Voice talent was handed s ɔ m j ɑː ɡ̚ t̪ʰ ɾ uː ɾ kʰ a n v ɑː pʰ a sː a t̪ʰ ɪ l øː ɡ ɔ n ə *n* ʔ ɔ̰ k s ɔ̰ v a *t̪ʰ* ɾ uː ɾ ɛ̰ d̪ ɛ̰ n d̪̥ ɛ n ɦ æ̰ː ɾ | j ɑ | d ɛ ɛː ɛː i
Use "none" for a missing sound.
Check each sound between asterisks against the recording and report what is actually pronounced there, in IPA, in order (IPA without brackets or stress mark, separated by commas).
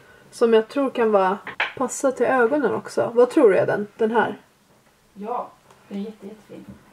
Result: n, t̪ʰ